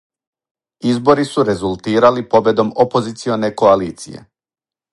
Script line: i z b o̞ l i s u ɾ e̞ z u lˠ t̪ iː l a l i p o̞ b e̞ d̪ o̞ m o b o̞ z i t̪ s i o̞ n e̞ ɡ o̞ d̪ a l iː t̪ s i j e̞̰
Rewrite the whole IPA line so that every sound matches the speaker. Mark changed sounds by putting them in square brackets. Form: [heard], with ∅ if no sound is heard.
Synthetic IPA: i z b o̞ [ɾ] i s u ɾ e̞ z u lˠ t̪ iː [ɾ] a l i p o̞ b e̞ d̪ o̞ m o [p] o̞ z i t̪ s i o̞ n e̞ [k] o̞ [∅] a l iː t̪ s i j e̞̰